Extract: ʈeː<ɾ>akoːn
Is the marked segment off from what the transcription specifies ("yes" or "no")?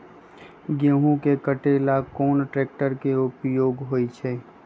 yes